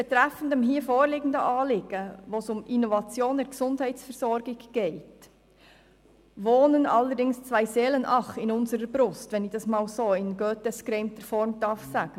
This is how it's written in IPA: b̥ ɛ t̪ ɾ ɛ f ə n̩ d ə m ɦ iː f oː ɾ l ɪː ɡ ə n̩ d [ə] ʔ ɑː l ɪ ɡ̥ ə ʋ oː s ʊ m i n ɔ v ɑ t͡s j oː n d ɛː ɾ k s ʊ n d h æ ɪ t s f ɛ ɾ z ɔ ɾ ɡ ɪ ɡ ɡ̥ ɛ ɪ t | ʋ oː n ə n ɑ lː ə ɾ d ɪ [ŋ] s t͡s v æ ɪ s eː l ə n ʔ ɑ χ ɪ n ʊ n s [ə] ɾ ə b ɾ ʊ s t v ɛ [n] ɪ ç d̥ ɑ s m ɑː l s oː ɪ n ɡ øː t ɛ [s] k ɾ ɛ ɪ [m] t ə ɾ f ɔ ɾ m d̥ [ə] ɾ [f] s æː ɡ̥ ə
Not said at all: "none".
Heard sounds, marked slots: ə, ŋ, ə, n, s, m, ɑ, f

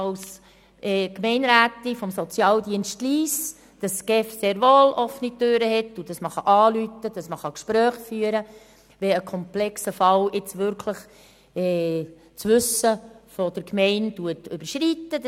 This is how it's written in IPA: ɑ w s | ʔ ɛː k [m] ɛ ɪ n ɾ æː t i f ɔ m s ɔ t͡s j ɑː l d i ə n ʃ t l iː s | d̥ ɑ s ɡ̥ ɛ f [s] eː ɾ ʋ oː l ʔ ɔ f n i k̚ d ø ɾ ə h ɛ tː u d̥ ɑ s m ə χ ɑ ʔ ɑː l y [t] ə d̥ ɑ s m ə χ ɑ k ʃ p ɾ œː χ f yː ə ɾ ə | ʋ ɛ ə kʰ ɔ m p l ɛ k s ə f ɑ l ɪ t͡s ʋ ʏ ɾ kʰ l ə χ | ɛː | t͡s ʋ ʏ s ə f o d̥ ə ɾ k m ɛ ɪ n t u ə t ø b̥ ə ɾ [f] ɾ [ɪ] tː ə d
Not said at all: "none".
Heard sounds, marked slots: m, s, t, ʃ, i

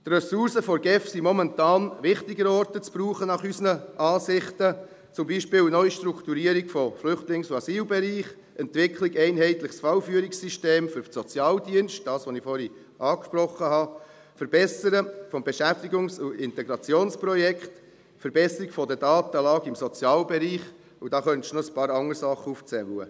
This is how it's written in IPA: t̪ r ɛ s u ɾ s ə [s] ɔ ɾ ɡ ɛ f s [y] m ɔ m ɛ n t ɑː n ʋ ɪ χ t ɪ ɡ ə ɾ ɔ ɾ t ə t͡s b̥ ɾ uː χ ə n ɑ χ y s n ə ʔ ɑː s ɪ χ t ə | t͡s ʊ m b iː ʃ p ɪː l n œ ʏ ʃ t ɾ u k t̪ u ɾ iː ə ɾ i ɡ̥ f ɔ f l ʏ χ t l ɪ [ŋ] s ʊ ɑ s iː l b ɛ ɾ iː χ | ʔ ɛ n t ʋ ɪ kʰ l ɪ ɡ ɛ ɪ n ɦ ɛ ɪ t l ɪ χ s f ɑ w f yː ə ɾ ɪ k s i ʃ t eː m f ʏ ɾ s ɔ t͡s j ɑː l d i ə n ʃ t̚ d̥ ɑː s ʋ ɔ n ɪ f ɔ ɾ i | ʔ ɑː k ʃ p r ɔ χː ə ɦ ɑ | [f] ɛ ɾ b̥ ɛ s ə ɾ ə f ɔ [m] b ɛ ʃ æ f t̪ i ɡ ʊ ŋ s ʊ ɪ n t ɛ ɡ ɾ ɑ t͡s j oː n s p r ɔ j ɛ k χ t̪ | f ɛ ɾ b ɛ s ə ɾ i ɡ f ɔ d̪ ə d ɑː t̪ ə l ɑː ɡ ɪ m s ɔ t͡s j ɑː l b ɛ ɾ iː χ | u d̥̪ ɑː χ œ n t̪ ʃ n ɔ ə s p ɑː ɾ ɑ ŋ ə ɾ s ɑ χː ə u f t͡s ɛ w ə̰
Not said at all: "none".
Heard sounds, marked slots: f, i, ŋ, f, m

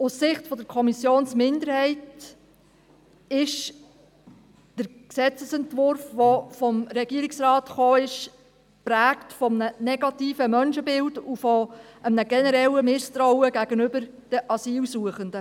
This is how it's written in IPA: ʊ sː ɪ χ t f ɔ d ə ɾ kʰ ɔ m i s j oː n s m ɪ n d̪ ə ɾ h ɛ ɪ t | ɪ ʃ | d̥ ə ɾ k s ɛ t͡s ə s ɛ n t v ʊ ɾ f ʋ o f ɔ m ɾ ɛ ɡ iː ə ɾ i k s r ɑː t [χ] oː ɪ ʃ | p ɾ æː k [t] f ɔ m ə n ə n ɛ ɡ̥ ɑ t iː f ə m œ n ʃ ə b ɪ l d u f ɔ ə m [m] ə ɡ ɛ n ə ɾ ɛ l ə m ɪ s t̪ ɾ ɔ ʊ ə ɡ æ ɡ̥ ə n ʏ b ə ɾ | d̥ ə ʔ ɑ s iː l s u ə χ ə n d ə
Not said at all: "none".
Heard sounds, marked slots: χ, t, n

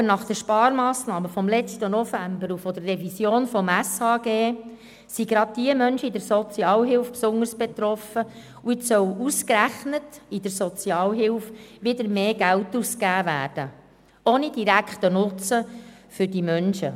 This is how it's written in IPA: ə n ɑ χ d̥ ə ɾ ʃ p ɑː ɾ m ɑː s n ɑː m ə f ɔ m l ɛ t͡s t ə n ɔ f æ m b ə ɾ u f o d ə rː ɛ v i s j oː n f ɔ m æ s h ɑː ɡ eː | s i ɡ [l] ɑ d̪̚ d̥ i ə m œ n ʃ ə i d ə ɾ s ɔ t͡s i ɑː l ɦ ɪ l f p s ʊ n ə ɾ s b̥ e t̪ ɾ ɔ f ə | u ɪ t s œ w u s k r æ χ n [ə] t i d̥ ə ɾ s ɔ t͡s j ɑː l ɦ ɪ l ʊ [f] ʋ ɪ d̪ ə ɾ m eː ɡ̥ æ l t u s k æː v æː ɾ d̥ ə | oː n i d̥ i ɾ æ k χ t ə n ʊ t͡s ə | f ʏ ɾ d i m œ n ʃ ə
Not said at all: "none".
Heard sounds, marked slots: ɾ, ə, f

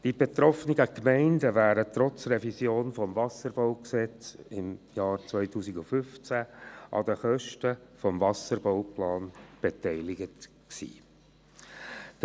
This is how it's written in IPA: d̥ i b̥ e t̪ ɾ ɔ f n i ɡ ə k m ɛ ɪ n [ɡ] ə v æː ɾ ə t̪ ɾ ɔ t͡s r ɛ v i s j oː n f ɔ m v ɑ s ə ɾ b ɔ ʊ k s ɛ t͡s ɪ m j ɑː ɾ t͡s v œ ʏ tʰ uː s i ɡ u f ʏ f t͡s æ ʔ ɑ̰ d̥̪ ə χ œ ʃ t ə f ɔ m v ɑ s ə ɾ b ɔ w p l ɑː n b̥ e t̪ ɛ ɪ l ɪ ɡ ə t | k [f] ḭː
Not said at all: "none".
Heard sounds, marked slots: d, s

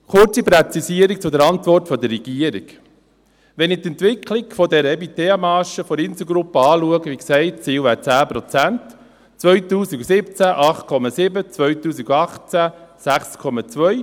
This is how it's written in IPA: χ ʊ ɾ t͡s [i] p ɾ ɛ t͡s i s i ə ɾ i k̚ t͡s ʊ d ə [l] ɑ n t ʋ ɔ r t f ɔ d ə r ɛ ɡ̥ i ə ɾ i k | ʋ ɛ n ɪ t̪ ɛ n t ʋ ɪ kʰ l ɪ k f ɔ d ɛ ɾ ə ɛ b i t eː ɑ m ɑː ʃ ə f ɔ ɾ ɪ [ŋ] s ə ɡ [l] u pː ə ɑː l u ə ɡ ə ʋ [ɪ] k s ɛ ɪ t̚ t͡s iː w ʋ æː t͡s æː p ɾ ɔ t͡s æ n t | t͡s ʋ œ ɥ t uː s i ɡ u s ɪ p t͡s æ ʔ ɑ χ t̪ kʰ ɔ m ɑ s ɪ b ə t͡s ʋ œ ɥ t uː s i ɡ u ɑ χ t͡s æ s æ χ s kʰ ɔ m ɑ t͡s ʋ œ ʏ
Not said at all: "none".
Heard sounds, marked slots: i, ɾ, n, ɾ, i

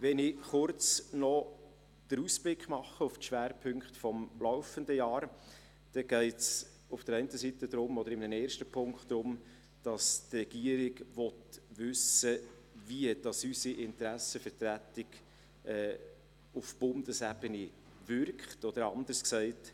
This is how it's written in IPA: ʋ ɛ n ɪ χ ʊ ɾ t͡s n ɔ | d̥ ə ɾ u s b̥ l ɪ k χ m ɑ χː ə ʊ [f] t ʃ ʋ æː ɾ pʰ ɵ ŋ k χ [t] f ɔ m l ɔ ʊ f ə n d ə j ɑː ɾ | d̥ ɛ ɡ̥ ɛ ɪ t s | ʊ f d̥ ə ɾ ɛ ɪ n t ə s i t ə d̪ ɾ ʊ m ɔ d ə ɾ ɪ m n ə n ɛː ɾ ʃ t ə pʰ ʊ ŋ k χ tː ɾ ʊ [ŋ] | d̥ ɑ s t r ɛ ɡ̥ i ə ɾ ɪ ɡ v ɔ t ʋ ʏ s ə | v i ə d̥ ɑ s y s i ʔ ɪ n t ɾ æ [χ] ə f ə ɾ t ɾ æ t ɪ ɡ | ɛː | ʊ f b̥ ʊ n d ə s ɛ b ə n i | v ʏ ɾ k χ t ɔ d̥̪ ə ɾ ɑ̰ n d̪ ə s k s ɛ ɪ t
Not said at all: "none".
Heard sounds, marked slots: f, t, m, s

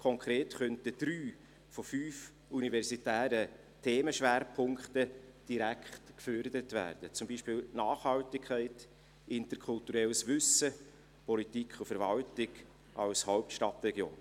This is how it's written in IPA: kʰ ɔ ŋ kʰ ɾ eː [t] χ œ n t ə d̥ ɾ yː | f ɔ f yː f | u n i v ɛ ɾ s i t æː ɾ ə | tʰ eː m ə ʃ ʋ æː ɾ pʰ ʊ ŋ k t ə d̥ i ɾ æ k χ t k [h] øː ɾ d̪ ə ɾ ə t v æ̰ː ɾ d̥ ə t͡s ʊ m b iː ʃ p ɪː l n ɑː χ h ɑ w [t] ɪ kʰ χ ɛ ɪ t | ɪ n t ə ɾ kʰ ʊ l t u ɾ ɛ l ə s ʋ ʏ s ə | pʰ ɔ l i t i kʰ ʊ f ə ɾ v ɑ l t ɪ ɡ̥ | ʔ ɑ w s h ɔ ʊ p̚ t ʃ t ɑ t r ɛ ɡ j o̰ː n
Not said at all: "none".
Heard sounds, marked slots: t, f, t

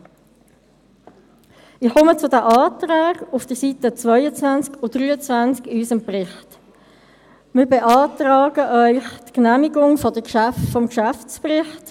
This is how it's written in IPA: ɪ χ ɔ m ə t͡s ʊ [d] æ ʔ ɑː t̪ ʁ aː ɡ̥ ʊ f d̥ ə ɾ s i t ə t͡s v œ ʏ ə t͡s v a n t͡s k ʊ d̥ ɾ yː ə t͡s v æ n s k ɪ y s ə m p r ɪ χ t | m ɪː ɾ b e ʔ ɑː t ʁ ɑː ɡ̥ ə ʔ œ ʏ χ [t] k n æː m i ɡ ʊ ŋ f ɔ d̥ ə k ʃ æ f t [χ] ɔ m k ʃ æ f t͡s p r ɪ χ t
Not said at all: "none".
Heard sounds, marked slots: d, t, f

